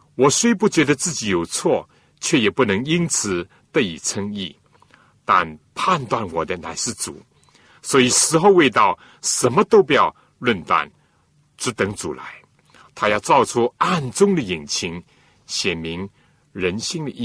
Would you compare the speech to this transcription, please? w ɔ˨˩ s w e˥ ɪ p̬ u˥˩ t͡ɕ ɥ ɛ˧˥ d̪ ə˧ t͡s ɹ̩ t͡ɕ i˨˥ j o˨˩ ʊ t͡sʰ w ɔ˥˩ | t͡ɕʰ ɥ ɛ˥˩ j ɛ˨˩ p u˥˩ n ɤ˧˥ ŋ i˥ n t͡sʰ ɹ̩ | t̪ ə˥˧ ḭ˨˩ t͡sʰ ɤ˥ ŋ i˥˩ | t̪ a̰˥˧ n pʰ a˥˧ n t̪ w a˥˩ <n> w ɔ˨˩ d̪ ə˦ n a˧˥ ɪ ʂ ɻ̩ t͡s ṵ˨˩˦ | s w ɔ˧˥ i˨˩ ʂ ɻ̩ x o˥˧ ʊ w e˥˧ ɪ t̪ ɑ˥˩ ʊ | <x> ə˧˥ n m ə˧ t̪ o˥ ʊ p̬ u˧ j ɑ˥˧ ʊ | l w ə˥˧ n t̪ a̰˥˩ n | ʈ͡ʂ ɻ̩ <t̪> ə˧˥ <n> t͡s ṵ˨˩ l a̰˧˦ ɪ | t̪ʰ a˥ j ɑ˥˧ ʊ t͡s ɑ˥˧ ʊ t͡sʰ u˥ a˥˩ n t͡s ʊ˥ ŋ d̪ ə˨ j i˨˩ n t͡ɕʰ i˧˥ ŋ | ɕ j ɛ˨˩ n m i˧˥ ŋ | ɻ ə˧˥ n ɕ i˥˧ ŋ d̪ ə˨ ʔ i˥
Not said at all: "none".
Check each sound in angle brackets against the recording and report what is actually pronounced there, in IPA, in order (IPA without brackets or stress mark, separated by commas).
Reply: n, ʂ, t̪, ŋ